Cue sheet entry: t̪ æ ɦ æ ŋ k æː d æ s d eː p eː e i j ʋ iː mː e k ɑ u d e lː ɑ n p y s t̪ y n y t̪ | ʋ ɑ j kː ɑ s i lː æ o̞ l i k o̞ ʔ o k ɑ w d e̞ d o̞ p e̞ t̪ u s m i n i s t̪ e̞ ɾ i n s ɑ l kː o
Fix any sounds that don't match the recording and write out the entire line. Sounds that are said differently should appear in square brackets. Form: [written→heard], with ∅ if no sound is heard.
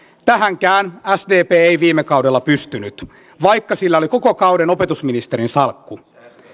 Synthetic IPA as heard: t̪ æ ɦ æ ŋ k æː [d→n] æ s d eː p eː e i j ʋ iː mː e k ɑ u d e lː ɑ [n→∅] p y s t̪ y n y t̪ | ʋ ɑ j kː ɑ s i lː æ o̞ l i k o̞ [ʔ→k] o k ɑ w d e̞ [d→n] o̞ p e̞ t̪ u s m i n i s t̪ e̞ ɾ i n s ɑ l kː [o→u]